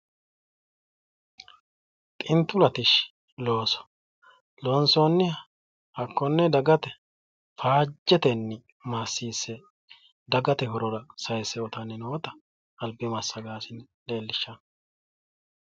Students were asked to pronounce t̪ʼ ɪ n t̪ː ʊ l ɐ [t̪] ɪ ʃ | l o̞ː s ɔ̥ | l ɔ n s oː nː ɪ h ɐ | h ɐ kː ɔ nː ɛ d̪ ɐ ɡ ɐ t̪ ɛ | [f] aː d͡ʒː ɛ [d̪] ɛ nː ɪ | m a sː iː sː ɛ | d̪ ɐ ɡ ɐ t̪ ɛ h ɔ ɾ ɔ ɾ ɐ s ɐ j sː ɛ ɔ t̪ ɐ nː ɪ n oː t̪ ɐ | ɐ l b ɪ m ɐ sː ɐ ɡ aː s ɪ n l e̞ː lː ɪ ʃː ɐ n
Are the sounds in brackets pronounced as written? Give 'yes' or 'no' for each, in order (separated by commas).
yes, yes, no